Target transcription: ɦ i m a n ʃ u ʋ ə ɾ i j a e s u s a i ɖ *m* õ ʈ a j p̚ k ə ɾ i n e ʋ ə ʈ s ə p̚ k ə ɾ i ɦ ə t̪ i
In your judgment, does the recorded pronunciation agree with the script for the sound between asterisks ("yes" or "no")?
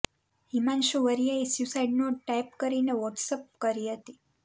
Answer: no